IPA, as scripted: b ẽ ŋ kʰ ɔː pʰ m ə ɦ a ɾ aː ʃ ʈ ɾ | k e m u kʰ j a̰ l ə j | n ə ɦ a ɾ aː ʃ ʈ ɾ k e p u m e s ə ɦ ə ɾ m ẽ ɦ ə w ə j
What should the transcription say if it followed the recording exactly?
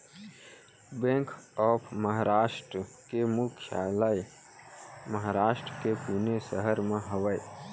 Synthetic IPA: b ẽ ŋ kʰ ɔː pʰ m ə ɦ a ɾ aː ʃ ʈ ɾ | k e m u kʰ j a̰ l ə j | m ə ɦ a ɾ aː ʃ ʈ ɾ k e p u n e s ə ɦ ə ɾ m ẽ ɦ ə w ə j